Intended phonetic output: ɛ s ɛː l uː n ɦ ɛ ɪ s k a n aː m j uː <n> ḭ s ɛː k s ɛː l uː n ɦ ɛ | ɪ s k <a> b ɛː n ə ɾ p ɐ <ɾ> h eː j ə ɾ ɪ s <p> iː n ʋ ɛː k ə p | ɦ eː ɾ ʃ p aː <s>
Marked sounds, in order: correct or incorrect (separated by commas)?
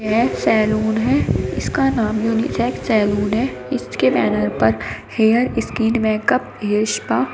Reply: correct, incorrect, correct, incorrect, incorrect